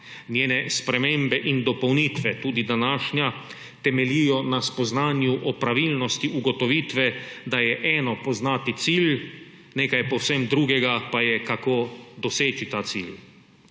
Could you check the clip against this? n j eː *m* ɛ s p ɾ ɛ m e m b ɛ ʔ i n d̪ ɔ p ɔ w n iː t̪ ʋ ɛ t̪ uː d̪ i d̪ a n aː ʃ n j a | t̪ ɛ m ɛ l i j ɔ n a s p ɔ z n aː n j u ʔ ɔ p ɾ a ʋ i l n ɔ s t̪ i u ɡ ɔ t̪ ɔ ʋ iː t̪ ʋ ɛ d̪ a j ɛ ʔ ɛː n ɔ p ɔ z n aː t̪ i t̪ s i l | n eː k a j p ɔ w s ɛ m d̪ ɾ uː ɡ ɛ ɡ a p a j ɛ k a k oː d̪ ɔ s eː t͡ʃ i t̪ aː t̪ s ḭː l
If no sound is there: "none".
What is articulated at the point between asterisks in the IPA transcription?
n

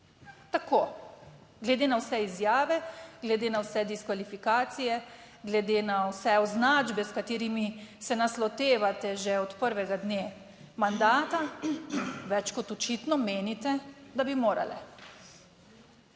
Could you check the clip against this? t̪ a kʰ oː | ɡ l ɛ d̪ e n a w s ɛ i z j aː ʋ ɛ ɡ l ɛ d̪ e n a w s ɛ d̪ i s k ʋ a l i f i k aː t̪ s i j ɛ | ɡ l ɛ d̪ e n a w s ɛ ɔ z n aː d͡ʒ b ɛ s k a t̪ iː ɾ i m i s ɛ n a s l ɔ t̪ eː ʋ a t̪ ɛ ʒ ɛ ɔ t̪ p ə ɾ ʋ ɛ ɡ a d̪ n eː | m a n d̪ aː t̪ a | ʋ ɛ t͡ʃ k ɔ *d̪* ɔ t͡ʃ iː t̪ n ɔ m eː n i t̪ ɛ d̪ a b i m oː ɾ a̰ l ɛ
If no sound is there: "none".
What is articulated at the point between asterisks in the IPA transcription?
t̪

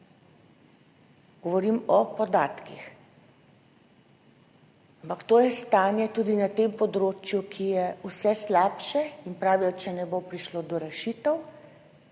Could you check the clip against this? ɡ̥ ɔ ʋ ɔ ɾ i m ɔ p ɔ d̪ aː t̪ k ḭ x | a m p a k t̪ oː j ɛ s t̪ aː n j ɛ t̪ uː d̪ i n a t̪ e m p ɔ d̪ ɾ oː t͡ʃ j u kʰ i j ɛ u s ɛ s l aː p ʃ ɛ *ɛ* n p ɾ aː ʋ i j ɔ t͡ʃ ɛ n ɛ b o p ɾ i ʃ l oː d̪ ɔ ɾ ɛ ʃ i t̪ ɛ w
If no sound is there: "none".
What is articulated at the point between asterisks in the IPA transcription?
i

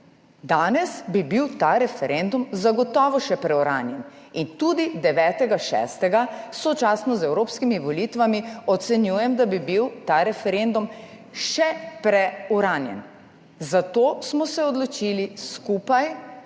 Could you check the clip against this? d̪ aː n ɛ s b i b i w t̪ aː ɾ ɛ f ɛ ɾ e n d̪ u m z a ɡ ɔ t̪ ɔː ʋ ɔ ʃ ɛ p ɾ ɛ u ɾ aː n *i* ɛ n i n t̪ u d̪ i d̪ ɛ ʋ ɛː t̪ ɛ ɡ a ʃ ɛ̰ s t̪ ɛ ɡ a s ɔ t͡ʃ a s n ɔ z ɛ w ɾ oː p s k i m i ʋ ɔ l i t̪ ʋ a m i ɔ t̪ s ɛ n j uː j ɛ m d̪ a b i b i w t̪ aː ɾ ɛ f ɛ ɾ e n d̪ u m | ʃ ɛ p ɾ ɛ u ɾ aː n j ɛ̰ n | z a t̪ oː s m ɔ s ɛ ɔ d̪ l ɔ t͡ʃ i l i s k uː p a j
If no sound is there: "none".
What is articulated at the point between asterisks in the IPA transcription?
j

